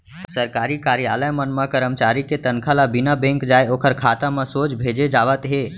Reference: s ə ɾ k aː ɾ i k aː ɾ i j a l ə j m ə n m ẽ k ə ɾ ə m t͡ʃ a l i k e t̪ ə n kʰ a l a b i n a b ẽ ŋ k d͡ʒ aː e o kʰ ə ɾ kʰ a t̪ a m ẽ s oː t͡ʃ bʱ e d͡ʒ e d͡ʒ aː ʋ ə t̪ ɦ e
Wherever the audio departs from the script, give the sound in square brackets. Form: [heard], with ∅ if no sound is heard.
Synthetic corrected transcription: s ə ɾ k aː ɾ i k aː ɾ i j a l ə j m ə n m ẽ k ə ɾ ə m t͡ʃ a [ɾ] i k e t̪ ə n kʰ a l a b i n a b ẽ ŋ k d͡ʒ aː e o kʰ ə ɾ kʰ a t̪ a m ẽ s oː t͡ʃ bʱ e d͡ʒ e d͡ʒ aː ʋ ə t̪ ɦ e